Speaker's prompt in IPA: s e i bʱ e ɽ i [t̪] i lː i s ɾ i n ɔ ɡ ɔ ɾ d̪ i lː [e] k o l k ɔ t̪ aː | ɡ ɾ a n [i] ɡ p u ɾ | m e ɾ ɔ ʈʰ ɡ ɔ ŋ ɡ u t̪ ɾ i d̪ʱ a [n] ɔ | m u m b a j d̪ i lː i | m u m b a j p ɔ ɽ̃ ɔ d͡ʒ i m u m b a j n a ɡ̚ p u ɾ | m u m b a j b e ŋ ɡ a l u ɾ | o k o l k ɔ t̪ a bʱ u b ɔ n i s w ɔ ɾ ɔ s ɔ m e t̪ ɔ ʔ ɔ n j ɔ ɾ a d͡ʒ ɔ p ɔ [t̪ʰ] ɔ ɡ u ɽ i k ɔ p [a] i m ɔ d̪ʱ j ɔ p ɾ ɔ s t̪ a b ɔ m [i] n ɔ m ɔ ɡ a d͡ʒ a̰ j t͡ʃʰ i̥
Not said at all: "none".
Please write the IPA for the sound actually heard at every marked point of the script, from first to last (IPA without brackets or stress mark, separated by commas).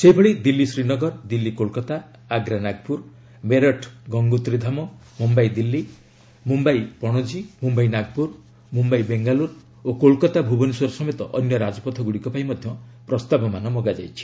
d̪, i, a, m, t̪ʰ, a, a